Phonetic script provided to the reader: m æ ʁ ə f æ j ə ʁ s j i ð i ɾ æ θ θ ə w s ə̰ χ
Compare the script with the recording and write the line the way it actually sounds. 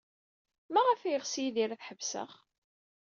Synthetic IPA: m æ ʁ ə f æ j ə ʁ s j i ð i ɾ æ θ ħ ə v s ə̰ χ